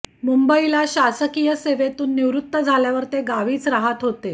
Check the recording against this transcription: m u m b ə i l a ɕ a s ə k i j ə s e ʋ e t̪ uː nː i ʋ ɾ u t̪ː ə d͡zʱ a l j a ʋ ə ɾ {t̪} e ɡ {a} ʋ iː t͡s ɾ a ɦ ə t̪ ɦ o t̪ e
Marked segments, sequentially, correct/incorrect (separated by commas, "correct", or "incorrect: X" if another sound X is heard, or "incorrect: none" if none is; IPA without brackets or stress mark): correct, correct